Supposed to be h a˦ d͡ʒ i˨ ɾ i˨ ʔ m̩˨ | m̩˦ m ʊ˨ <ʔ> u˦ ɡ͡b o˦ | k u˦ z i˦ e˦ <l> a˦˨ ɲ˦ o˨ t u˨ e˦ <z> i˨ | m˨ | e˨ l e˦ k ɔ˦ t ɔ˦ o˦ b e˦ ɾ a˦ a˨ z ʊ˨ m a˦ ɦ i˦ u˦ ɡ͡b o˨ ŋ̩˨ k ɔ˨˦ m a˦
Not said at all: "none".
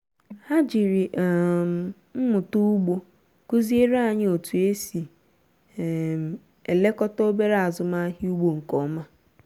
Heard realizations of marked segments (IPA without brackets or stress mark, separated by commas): t, ɾ, s